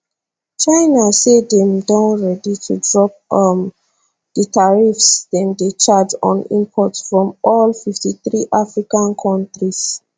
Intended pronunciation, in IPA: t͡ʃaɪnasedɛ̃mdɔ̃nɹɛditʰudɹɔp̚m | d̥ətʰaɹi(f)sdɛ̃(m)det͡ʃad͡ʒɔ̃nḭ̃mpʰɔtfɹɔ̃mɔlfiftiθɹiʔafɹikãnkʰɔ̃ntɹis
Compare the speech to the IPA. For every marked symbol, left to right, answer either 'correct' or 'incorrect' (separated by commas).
correct, incorrect